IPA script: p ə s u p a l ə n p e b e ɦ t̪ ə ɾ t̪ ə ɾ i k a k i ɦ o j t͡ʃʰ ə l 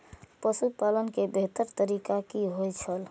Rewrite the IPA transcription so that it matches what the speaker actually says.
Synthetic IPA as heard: p ə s u p a l ə n k e b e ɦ t̪ ə ɾ t̪ ə ɾ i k a k i ɦ o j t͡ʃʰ ə l